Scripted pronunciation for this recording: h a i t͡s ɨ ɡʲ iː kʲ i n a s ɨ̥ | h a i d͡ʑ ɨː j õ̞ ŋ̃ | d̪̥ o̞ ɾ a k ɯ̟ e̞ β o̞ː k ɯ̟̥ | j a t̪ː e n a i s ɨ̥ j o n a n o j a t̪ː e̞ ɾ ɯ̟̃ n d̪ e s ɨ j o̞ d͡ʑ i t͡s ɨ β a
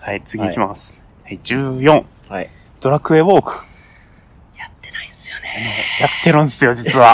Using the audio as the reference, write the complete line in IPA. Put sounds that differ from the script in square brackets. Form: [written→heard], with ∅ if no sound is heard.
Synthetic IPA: h a i t͡s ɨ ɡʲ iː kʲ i [n→m] a s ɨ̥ | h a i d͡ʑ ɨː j õ̞ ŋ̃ | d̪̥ o̞ ɾ a k ɯ̟ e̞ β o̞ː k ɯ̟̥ | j a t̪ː e n a i s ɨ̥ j o n [a→e] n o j a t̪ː e̞ ɾ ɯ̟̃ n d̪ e s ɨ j o̞ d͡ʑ i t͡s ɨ β a